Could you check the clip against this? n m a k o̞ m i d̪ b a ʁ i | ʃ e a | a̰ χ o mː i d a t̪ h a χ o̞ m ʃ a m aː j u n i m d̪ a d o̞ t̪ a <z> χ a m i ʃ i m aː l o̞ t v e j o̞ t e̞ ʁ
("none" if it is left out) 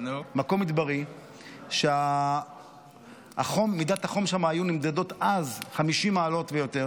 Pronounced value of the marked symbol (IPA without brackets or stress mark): z